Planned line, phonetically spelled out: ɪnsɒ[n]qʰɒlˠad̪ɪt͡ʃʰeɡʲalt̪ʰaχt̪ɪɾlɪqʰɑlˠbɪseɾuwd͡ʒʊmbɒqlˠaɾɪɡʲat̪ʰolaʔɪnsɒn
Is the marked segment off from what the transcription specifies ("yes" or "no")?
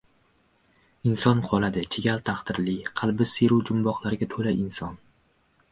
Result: no